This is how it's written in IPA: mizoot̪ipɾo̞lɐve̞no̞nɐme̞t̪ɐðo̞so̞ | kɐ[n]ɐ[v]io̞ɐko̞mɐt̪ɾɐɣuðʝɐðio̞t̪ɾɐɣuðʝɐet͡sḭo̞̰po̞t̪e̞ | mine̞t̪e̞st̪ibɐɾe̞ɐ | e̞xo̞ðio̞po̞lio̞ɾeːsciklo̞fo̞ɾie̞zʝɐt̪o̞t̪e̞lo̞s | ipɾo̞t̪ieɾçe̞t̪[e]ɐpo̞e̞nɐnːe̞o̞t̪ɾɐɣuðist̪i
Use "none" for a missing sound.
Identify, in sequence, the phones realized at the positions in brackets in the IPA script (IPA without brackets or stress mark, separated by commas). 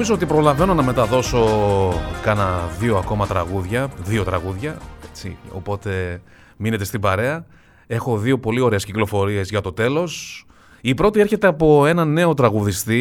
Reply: n, ð, e